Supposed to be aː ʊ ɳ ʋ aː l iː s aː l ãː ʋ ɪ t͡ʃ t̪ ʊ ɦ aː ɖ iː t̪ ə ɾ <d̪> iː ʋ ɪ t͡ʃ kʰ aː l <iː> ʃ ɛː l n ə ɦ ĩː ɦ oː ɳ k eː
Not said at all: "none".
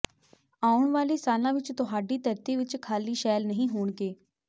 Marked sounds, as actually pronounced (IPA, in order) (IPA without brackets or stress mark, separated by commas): t̪, iː